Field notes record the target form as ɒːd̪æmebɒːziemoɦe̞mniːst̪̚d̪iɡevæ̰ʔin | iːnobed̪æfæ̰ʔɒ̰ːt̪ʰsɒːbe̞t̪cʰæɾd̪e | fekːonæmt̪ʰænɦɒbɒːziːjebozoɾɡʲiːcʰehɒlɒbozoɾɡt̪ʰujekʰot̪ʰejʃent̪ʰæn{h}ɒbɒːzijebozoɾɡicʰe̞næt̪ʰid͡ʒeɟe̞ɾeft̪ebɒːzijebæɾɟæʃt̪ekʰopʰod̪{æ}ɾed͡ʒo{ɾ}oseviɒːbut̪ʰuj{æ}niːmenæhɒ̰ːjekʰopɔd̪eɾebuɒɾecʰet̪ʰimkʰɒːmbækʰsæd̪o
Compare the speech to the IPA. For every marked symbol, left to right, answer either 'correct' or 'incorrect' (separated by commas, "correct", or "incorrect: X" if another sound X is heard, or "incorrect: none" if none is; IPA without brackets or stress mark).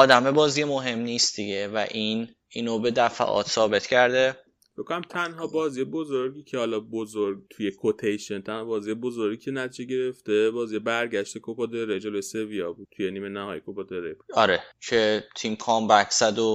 correct, incorrect: e, incorrect: l, incorrect: e